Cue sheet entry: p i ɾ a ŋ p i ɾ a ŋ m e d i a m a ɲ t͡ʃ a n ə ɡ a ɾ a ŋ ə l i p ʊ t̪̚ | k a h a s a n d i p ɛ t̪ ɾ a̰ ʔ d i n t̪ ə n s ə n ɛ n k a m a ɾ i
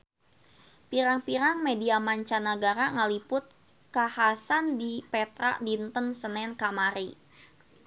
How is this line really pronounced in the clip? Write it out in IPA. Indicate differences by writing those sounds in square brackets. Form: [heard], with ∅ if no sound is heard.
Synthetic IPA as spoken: p i ɾ a ŋ p i ɾ a ŋ m e d i a m a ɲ t͡ʃ a n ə ɡ a ɾ a ŋ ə l i p ʊ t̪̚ | k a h a s a n d i p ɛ t̪ ɾ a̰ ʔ d i n t̪ ə n s ə n ɛ n k a m a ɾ i